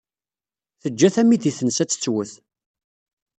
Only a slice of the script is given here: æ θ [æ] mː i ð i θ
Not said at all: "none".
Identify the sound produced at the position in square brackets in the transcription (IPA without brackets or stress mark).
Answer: æ